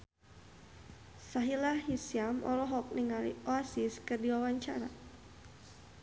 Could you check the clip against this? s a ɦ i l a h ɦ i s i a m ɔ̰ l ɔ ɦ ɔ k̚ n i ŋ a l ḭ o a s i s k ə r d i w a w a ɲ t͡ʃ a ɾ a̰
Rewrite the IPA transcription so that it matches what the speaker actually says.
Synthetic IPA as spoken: s a ɦ i l a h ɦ i s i a m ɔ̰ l ɔ ɦ ɔ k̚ n i ŋ a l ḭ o a s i s k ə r d i w a w a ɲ t͡ʃ a ɾ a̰